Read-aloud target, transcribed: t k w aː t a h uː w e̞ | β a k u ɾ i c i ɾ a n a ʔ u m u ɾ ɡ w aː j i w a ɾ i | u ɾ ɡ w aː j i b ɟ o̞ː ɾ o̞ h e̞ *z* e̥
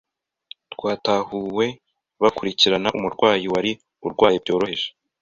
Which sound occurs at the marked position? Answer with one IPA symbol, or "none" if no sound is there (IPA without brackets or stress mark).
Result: ʒ